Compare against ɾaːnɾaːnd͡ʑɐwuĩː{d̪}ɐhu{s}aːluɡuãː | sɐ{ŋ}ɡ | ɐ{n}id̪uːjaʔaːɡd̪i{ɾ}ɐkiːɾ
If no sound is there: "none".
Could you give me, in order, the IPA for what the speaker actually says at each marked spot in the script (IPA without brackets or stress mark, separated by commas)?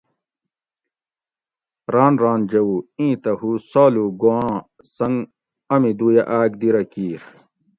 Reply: t̪, s, ŋ, m, ɾ